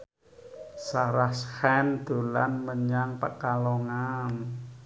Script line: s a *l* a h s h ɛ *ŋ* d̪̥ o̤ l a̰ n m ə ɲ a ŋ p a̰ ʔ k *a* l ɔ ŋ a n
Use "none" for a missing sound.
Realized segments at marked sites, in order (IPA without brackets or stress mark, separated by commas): ɾ, n, a